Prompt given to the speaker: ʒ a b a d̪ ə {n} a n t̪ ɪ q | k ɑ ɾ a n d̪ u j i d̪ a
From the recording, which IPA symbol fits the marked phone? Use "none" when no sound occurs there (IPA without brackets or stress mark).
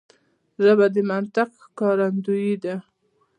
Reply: m